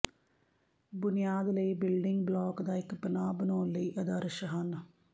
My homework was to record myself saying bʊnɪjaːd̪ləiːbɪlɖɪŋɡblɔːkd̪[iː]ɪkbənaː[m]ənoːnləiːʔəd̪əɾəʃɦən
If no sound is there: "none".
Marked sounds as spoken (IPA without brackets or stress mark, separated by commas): aː, b